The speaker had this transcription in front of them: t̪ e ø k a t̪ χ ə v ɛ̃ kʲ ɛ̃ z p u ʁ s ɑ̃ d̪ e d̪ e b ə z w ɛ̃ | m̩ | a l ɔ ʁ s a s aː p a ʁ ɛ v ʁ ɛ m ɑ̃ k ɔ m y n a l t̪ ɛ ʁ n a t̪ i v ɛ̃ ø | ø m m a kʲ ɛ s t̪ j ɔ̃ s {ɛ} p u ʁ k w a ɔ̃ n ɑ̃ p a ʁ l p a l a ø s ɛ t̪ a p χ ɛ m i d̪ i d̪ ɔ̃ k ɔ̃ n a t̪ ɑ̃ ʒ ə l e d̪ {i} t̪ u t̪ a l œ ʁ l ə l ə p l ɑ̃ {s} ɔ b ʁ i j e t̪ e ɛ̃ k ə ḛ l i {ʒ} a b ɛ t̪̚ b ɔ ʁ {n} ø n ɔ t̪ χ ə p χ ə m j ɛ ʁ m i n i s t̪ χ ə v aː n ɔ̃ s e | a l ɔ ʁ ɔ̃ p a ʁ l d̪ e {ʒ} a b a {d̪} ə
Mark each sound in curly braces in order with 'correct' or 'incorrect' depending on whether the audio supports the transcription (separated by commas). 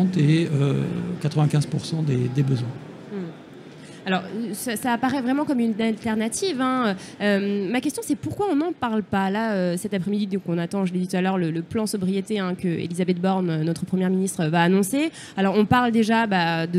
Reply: correct, correct, correct, incorrect, correct, correct, correct